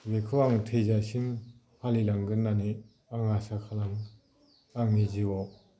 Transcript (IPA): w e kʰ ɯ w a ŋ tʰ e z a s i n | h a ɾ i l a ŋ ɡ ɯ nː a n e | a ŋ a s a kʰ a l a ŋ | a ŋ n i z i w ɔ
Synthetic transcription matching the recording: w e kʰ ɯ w a ŋ tʰ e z a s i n | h a l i l a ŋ ɡ ɯ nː a n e | a ŋ a s a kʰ a l a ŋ | a ŋ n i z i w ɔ